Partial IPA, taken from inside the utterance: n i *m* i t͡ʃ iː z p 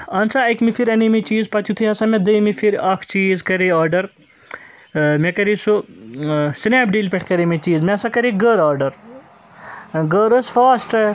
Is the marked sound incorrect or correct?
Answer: correct